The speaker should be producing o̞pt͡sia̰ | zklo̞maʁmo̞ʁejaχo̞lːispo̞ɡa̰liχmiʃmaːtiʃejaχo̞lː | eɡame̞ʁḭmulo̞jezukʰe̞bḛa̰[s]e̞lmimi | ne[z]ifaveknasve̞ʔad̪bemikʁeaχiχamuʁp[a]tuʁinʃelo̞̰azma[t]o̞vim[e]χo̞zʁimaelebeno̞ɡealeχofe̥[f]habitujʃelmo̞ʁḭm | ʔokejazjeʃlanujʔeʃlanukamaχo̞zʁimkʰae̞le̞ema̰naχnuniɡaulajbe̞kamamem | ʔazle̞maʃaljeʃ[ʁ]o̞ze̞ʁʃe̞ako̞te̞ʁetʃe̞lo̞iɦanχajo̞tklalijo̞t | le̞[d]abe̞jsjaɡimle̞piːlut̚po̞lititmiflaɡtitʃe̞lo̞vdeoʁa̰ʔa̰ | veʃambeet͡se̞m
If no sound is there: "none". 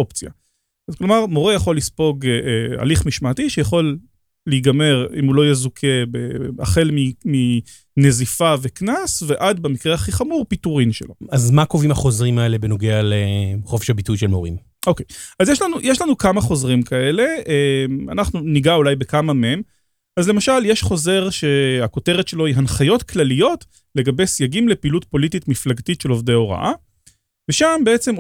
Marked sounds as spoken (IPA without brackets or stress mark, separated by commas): χ, z, i, k, a, ʃ, χ, ɡ